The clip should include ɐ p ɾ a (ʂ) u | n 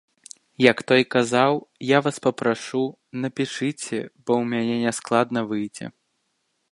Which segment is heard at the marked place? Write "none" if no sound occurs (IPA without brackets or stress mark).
ʂ